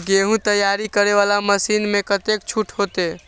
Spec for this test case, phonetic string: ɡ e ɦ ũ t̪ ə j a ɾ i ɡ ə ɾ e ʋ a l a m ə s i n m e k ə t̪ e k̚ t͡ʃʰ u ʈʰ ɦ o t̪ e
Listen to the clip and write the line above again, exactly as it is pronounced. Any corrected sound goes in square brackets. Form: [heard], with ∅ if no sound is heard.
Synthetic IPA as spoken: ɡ e ɦ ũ t̪ ə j a ɾ i [k] ə ɾ e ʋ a l a m ə s i n m e k ə t̪ e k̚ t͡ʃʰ u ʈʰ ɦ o t̪ e